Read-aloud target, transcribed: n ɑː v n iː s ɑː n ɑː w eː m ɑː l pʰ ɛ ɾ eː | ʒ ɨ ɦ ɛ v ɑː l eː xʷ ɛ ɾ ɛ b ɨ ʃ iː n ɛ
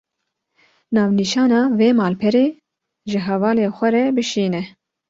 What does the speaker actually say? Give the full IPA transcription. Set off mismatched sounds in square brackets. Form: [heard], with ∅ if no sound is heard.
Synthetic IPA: n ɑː v n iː [ʃ] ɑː n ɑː [v] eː m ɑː l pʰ ɛ ɾ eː | ʒ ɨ ɦ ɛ v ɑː l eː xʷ ɛ ɾ ɛ b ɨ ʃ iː n ɛ